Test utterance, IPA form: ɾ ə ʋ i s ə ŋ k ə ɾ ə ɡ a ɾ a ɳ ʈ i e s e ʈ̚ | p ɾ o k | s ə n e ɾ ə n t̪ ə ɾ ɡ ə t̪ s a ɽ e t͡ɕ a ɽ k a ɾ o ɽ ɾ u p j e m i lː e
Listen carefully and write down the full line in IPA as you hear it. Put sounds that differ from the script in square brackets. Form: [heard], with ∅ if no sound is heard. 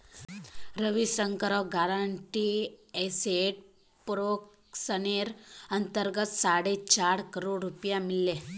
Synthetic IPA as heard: ɾ ə ʋ i s ə ŋ k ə ɾ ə ɡ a ɾ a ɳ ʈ i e s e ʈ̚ | p ɾ o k | s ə n e ɾ ə n t̪ ə ɾ ɡ ə t̪ s a ɽ e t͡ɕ a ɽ k [ə] ɾ o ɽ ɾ u p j [a] m i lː e